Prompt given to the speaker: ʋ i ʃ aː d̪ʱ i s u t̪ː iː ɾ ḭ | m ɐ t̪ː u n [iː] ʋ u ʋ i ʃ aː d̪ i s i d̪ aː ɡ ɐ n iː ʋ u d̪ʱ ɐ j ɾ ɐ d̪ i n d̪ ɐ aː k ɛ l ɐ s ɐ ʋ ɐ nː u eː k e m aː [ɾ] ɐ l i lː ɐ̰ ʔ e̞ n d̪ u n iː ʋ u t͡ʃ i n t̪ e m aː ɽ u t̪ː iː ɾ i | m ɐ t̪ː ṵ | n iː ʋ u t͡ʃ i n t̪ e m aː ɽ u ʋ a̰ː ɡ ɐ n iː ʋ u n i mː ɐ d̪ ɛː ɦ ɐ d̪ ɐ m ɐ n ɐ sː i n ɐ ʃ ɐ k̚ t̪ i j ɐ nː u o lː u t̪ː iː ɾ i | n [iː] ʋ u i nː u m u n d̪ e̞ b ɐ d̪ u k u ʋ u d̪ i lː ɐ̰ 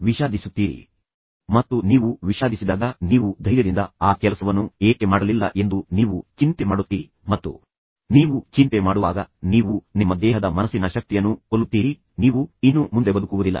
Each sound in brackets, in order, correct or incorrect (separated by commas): correct, incorrect, correct